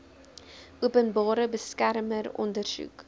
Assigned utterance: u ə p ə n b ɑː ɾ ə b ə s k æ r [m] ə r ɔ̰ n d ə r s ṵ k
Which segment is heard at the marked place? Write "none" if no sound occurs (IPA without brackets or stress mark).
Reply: m